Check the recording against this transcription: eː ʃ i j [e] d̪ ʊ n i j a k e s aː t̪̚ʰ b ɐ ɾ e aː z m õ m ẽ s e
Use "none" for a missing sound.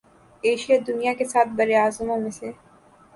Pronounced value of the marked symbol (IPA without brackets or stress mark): a